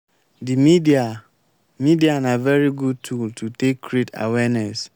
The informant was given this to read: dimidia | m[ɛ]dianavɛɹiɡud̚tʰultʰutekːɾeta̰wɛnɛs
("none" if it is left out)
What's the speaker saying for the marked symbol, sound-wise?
i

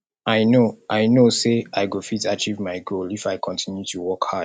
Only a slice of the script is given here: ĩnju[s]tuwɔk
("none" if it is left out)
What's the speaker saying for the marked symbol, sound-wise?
none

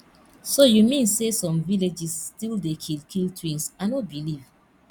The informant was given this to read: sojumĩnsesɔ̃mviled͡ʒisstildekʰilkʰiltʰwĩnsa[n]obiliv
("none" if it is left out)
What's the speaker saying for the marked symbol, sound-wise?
n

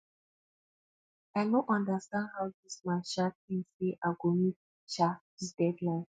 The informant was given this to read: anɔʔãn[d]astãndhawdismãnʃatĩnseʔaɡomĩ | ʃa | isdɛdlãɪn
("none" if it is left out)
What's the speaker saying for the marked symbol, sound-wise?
d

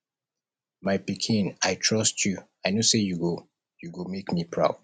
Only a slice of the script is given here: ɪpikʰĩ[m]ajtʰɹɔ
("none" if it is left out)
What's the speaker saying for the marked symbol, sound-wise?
n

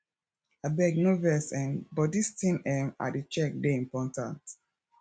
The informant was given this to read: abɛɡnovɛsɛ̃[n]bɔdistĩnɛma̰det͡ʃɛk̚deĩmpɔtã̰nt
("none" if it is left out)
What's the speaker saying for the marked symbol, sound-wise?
n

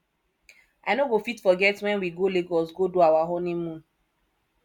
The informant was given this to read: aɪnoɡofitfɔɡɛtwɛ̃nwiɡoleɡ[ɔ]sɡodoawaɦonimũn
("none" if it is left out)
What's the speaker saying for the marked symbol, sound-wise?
ɔ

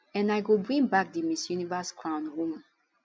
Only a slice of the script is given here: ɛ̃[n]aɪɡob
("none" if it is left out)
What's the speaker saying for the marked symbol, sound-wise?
n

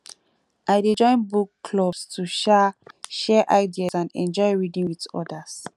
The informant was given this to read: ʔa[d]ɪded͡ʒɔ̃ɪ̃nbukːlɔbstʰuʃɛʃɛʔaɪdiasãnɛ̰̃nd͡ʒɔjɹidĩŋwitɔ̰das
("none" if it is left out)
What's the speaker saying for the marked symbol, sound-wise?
none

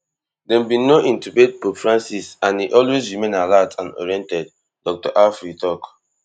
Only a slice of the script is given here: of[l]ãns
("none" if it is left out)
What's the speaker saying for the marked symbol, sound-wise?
ɹ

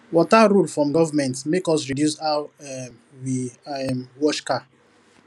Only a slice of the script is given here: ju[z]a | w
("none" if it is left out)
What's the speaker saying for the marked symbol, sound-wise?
s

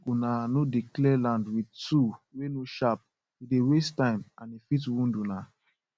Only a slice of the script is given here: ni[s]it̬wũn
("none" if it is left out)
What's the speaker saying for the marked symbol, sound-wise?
f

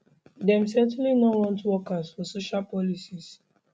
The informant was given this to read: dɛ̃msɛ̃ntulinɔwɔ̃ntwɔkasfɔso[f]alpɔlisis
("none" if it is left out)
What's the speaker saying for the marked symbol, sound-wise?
ʃ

